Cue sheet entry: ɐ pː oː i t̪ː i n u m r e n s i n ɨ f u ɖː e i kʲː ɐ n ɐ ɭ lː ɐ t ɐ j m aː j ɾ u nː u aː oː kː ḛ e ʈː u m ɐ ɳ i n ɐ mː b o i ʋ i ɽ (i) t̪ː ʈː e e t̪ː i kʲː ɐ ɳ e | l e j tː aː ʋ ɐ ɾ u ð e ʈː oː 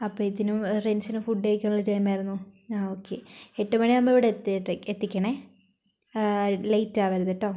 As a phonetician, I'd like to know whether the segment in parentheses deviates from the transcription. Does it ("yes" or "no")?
yes